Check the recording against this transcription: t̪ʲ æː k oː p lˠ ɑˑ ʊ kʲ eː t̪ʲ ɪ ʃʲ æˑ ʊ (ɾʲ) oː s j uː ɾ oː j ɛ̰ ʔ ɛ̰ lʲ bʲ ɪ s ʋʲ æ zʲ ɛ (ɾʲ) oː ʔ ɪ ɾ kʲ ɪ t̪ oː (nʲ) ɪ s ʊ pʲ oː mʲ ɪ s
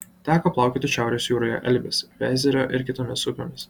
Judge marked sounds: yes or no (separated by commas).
yes, yes, no